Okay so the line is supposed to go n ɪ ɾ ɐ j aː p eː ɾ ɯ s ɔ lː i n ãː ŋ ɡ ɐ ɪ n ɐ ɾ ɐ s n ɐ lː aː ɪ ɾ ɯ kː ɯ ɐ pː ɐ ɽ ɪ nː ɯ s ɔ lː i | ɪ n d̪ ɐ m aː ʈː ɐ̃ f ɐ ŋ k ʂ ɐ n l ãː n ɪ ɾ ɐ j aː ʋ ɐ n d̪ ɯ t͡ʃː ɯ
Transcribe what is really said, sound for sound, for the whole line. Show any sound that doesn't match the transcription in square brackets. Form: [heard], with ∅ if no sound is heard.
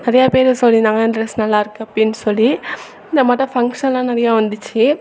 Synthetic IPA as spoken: n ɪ ɾ ɐ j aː p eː ɾ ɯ s ɔ lː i n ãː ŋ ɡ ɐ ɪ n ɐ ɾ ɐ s n ɐ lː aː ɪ ɾ ɯ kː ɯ ɐ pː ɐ ɽ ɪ nː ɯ s ɔ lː i | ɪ n d̪ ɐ m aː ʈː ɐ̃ f ɐ ŋ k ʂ ɐ n l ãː n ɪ ɾ ɐ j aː ʋ ɐ n d̪ ɯ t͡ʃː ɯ